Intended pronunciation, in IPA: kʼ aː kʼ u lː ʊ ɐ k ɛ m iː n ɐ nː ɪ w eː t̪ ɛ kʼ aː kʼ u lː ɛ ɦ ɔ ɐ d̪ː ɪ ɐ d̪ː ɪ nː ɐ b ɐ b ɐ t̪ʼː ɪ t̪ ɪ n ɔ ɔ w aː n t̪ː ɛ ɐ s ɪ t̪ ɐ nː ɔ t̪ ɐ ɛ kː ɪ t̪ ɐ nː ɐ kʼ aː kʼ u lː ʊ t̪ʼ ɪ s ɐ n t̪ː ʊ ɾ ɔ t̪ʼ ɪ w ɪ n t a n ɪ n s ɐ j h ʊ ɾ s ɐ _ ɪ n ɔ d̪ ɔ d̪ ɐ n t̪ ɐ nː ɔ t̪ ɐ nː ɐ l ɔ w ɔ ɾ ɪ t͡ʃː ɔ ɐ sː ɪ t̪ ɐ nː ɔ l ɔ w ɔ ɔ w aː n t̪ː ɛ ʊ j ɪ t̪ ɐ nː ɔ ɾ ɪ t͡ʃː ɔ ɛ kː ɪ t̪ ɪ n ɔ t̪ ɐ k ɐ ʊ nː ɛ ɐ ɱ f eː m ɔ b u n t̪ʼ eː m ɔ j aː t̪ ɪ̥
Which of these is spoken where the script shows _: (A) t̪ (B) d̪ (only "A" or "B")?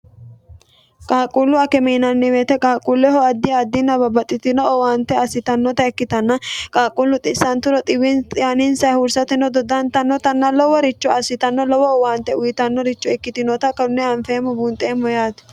A